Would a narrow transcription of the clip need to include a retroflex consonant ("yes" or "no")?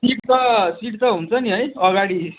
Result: yes